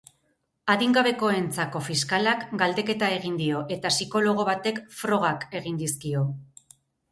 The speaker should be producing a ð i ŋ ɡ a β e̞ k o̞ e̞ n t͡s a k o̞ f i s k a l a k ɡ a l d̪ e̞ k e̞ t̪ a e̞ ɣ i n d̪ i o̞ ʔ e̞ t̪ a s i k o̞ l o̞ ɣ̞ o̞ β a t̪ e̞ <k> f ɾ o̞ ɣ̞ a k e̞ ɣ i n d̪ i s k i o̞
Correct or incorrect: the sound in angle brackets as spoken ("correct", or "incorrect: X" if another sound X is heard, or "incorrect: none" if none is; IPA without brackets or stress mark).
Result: correct